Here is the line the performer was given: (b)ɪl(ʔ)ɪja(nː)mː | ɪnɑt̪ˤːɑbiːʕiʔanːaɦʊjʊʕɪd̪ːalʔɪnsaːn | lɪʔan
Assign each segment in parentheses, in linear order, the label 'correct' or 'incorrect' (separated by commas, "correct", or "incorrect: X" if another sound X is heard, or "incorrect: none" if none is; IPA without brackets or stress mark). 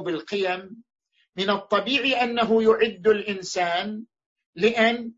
correct, incorrect: q, incorrect: none